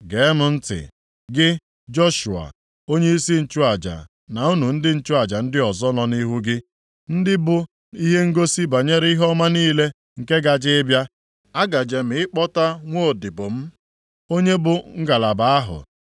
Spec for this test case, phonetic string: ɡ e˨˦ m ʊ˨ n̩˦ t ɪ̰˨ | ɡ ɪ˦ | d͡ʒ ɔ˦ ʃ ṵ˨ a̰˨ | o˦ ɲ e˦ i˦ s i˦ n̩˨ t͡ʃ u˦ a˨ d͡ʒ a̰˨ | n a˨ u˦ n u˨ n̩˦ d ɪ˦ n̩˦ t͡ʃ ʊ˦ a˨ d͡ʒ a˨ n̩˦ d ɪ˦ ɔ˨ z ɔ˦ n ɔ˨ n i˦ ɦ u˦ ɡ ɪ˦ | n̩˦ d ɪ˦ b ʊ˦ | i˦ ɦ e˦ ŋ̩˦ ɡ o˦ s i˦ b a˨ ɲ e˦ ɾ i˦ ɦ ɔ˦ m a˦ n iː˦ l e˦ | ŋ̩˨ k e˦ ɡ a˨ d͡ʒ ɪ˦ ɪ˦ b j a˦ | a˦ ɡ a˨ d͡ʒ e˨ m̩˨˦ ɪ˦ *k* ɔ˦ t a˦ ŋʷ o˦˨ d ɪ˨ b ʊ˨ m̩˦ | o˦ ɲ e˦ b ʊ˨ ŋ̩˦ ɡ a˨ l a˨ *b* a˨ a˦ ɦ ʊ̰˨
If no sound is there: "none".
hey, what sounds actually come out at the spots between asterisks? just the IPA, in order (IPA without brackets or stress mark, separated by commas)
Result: k͡p, b